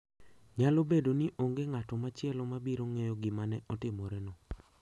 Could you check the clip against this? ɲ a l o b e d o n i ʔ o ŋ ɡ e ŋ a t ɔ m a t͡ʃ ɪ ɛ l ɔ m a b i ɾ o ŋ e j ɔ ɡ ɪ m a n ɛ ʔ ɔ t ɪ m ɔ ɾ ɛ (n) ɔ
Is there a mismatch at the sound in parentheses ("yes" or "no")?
no